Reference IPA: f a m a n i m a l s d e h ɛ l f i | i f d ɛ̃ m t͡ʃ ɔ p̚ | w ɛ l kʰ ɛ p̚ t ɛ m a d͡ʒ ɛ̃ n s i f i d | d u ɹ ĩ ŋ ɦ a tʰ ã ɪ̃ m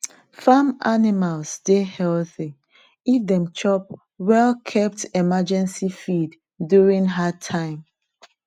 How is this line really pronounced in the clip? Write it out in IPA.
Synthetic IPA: f a m a n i m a l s d e h ɛ l θ i | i f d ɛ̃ m t͡ʃ ɔ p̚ | w ɛ l kʰ ɛ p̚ t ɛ m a d͡ʒ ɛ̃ n s i f i d | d u ɹ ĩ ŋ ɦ a tʰ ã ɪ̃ m

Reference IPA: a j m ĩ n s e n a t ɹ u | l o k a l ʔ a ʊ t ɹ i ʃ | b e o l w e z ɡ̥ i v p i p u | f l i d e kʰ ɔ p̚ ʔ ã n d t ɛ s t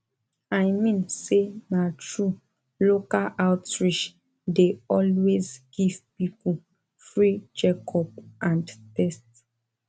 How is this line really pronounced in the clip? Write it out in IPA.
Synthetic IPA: a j m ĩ n s e n a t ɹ u | l o k a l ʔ a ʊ t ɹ i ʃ | d e ɔ l w e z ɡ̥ i v p i p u | f ɹ i d͡ʒ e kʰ ɔ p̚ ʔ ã n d t ɛ s t

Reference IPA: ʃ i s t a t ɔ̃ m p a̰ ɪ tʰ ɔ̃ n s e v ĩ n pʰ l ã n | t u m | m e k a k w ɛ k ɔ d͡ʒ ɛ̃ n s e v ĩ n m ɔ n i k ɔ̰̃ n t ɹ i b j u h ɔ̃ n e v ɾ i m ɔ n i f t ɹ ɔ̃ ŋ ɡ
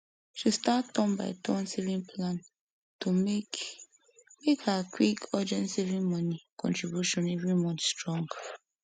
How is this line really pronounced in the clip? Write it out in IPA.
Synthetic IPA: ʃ i s t a t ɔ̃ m b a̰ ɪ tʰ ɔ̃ n s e v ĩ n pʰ l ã n | t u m | m e k a k w i k ɔ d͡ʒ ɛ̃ n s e v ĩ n m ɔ n i k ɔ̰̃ n t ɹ i b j u ʃ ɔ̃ n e v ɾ i m ɔ n i s t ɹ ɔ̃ ŋ ɡ

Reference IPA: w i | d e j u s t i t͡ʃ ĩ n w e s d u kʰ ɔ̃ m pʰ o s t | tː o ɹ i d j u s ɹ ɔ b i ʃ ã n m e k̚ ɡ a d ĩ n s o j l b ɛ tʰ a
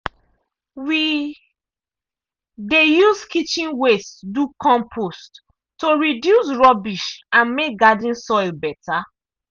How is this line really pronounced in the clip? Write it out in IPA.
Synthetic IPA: w i | d e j u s k i t͡ʃ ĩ n w e s d u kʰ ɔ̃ m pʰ o s t | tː o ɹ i d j u s ɹ ɔ b i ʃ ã n m e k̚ ɡ a d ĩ n s ɔ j l b ɛ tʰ a

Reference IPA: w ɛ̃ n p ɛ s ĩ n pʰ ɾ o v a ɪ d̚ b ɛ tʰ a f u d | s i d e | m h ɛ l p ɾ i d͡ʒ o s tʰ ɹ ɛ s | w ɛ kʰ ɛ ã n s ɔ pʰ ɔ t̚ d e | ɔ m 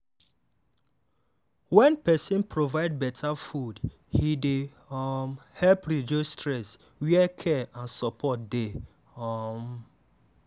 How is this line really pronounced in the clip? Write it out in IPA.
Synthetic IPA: w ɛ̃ n p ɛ s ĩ n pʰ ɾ o v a ɪ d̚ b ɛ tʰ a f u d | h i d e | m h ɛ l p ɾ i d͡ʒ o s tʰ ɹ ɛ s | w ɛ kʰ ɛ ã n s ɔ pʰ ɔ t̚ d e | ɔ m

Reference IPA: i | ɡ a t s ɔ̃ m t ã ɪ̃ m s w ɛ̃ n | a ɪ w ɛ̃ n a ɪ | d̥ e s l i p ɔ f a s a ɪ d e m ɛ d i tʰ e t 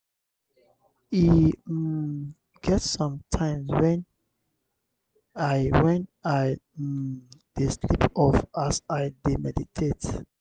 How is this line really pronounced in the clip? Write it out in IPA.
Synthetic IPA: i | ɡ ɛ t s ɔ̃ m tʰ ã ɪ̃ m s w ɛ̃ n | a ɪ w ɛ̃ n a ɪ | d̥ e s l i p ɔ f a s a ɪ d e m ɛ d i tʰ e t

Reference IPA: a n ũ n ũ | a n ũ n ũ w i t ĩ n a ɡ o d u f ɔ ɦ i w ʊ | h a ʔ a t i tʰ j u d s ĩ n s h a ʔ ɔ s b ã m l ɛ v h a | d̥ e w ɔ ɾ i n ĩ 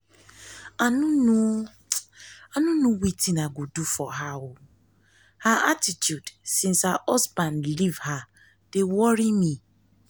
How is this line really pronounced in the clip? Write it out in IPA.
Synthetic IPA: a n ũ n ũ | a n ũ n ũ w i t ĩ n a ɡ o d u f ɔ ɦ a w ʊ | h a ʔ a t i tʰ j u d s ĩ n s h a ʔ ɔ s b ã n l i v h a | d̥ e w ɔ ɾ i m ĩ

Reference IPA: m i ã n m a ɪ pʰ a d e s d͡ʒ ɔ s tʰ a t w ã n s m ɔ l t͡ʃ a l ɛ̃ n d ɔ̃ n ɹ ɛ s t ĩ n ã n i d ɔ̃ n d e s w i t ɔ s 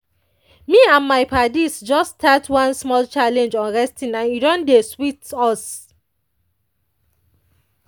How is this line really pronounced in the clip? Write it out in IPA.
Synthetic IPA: m i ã n m a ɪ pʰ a d i s d͡ʒ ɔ s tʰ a t w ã n s m ɔ l t͡ʃ a l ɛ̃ n d͡ʒ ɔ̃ n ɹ ɛ s t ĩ n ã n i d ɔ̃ n d e s w i t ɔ s

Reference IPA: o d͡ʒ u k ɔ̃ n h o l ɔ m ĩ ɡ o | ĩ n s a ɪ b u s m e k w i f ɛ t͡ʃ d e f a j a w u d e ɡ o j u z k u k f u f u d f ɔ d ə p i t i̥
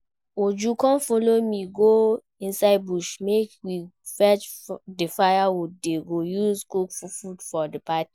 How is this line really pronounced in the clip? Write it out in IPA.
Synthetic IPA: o d͡ʒ u k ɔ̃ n f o l o m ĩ ɡ o | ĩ n s a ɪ b u ʃ m e k w i f ɛ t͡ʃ d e f a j a w u d e ɡ o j u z k u k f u f u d f ɔ d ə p a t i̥

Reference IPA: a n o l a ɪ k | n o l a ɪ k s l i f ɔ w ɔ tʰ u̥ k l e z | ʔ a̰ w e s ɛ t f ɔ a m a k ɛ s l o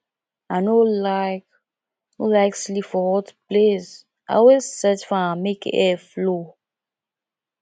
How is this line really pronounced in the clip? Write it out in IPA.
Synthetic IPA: a n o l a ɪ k | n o l a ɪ k s l i f ɔ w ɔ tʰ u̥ p l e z | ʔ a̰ w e s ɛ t f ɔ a m e k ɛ f l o

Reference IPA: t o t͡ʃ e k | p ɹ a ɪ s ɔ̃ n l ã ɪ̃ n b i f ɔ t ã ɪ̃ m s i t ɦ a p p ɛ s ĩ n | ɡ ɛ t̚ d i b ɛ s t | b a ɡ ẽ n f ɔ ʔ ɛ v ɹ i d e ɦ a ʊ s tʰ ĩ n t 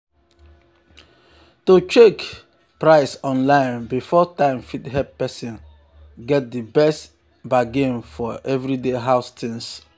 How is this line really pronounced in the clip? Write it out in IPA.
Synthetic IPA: t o t͡ʃ e k | p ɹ a ɪ s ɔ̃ n l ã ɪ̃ n b i f ɔ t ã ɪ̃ m f i t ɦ ɛ p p ɛ s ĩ n | ɡ ɛ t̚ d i b ɛ s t | b a ɡ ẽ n f ɔ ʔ ɛ v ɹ i d e ɦ a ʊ s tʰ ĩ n s

